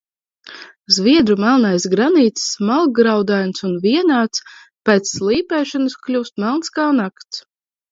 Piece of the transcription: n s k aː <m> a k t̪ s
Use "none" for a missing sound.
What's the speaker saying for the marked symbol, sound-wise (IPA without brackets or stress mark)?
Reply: n